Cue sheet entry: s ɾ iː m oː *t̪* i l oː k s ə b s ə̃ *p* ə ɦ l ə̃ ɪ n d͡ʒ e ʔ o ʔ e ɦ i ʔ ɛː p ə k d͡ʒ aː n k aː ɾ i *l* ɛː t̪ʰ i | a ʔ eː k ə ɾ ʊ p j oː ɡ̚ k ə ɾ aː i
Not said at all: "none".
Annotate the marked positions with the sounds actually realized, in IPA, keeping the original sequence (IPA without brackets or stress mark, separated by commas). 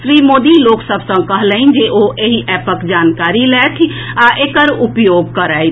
d̪, k, l